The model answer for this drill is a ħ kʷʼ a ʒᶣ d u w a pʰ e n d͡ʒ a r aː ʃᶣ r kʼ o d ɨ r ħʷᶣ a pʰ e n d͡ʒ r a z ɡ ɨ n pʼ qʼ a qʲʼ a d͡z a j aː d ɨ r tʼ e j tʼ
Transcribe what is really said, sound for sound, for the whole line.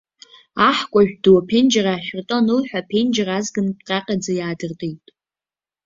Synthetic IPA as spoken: a ħ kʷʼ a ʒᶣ d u w a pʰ e n d͡ʒ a r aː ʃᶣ r tʼ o n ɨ l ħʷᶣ a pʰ e n d͡ʒ r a z ɡ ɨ n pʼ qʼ a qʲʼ a d͡z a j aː d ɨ r tʼ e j tʼ